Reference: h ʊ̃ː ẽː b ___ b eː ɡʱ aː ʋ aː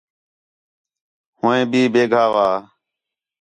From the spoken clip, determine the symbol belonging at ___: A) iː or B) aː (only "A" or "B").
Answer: A